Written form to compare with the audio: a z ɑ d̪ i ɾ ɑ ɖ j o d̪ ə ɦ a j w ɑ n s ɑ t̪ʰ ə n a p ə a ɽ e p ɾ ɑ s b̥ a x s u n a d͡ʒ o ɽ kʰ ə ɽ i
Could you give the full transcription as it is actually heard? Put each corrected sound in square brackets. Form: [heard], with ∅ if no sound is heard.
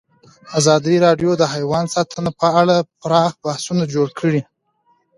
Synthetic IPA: a z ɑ d̪ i ɾ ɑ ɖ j o d̪ ə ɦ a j w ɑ n s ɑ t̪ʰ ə n a p ə a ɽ [a] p ɾ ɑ [x] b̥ a [h] s u n a d͡ʒ o ɽ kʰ ə ɽ i